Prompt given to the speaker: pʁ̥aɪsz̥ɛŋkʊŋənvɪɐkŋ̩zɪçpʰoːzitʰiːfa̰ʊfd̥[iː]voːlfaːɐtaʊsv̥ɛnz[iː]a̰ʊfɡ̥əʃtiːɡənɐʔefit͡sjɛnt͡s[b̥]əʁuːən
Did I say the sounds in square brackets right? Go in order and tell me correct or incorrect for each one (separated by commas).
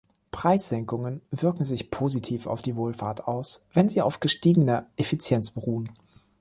correct, correct, correct